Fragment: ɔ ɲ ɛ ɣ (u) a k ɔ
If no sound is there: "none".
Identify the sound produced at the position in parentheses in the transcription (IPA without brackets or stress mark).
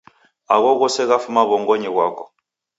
w